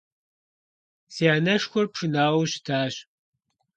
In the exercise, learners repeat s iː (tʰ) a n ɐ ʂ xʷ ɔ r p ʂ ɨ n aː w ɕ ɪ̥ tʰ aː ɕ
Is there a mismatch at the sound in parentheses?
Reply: yes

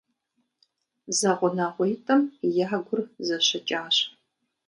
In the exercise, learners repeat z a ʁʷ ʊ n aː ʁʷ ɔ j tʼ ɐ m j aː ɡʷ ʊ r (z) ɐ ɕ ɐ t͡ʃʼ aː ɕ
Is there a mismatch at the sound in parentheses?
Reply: no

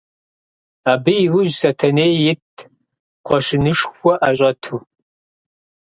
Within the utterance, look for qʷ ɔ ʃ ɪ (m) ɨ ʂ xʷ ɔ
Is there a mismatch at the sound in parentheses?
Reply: yes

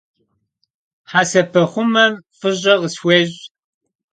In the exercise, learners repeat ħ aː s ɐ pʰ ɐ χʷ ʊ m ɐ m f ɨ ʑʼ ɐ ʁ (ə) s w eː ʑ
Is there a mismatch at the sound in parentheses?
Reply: no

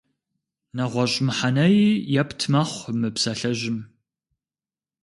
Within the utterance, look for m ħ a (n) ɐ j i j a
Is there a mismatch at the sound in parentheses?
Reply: no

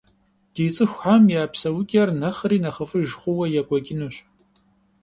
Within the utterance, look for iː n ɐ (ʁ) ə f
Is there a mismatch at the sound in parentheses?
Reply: yes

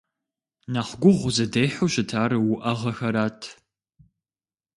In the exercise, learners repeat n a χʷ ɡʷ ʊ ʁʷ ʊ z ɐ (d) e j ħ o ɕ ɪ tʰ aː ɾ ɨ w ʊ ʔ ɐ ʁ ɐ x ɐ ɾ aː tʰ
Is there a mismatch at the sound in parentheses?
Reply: no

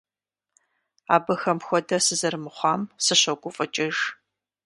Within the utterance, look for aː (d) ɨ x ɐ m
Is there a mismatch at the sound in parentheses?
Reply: yes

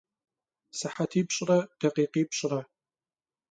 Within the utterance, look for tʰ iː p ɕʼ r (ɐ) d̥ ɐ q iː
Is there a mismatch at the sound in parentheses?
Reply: no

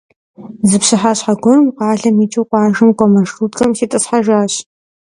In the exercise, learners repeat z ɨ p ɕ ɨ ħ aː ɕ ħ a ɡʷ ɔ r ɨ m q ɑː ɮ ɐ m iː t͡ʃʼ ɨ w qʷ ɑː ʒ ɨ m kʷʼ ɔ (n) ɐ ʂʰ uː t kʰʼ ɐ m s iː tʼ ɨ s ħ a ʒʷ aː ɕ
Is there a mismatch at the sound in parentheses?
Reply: yes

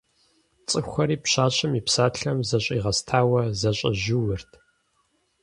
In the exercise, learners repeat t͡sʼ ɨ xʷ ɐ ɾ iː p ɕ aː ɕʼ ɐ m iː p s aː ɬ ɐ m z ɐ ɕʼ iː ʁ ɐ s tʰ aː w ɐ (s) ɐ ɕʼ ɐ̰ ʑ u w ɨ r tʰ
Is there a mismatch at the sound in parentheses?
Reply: yes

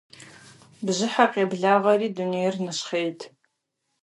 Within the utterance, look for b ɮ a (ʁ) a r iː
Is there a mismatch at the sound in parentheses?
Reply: no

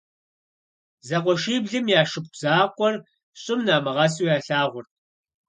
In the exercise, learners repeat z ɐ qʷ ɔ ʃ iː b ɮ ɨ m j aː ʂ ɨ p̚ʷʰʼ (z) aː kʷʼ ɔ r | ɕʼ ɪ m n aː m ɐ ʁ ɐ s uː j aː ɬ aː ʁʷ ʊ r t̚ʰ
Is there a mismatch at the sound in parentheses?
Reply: no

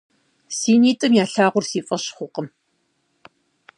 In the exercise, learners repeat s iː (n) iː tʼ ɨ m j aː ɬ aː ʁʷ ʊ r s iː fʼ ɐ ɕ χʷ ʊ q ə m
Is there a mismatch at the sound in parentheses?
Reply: no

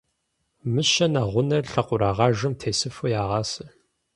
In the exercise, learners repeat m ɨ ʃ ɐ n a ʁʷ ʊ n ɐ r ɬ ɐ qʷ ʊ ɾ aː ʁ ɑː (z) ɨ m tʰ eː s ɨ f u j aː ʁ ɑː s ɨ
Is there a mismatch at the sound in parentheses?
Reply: yes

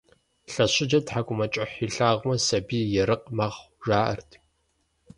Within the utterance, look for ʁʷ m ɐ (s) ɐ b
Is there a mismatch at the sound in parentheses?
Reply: no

